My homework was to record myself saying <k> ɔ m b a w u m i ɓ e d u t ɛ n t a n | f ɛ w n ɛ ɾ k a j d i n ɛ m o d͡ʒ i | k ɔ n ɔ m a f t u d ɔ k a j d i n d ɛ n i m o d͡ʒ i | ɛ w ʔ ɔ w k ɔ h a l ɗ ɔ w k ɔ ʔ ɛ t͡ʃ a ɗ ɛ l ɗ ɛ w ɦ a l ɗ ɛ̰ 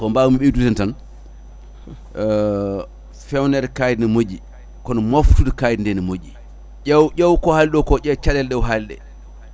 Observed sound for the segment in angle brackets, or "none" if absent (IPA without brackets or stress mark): k